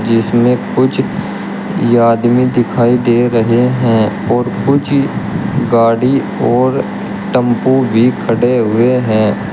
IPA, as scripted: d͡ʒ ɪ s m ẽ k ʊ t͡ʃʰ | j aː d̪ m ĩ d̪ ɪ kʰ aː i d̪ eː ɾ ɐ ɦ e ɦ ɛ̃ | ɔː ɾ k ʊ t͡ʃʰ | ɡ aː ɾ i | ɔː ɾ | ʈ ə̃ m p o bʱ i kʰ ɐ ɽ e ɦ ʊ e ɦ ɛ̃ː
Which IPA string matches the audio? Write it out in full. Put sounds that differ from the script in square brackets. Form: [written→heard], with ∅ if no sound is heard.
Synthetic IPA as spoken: d͡ʒ ɪ s m ẽ k ʊ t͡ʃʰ | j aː d̪ m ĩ d̪ ɪ kʰ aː i d̪ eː ɾ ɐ ɦ e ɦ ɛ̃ | ɔː ɾ k ʊ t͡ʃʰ | ɡ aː [ɾ→ɽ] i | ɔː ɾ | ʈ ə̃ m p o bʱ i kʰ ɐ ɽ e ɦ ʊ e ɦ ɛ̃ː